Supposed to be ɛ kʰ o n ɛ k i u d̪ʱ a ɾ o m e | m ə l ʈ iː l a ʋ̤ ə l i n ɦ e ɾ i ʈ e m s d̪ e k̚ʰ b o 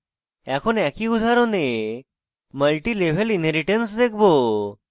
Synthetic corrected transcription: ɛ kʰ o n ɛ k i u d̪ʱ a ɾ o n e | m ə l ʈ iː l e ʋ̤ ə l i n ɦ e ɾ i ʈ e n s d̪ e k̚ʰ b o